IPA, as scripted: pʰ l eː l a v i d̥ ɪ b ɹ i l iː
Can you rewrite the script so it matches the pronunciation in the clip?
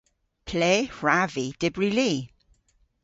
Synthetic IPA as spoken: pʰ l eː ɹ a v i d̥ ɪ b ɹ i l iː